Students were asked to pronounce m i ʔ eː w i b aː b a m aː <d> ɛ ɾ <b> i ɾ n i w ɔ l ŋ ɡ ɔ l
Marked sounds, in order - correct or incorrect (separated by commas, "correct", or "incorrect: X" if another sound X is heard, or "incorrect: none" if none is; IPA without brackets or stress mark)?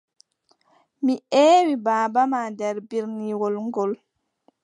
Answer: correct, correct